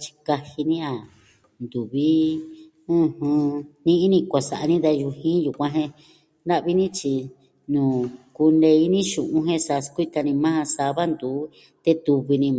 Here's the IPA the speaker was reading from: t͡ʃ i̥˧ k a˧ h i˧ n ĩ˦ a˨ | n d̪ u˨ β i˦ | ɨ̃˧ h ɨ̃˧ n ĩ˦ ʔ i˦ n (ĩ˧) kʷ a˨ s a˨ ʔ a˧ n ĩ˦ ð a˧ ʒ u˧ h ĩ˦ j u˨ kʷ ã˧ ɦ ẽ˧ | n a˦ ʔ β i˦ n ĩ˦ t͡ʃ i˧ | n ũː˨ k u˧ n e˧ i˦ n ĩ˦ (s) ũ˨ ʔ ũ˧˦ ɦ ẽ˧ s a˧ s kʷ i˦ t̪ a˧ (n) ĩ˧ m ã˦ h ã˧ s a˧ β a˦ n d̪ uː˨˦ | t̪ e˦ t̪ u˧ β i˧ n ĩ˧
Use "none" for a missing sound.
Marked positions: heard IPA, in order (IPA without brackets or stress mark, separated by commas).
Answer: ĩ˧, ʃ, n